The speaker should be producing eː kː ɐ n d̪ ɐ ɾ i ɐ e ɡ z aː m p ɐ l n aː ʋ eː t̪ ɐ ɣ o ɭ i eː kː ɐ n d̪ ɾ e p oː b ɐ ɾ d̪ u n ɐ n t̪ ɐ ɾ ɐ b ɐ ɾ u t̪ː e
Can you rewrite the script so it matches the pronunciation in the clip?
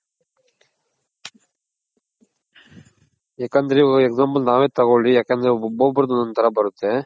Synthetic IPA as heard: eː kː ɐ n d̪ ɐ ɾ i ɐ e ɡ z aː m p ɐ l n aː ʋ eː t̪ ɐ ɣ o ɭ i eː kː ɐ n d̪ ɾ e b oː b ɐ ɾ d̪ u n ɐ n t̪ ɐ ɾ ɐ b ɐ ɾ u t̪ː e